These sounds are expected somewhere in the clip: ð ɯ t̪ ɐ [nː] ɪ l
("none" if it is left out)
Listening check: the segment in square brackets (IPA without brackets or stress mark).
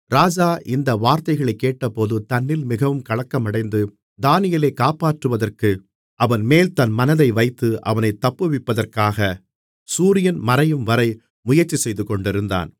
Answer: nː